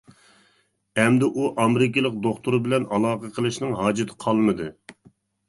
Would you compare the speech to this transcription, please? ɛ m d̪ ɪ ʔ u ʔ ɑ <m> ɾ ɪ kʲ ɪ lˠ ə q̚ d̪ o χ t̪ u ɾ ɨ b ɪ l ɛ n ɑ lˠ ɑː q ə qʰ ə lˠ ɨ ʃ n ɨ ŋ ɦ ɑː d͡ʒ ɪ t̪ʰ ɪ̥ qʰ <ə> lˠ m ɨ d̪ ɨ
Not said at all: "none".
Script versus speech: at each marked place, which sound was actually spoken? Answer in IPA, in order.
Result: m, ɑ

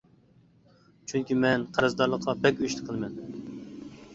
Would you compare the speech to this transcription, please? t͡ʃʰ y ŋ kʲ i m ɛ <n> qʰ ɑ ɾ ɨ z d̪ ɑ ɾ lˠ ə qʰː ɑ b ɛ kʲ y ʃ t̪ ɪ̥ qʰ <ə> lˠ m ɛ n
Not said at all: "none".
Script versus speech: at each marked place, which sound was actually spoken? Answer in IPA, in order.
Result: n, ə

